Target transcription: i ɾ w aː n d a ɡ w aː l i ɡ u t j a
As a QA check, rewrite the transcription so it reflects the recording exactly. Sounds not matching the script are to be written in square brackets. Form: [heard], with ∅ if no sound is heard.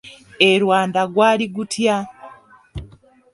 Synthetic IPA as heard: [e] ɾ w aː n d a ɡ w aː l i ɡ u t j a